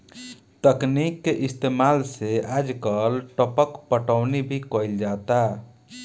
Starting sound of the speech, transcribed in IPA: t̪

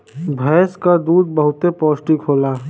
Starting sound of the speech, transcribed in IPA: bʱ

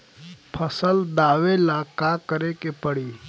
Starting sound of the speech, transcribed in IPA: pʰ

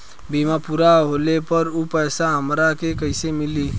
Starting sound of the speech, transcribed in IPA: b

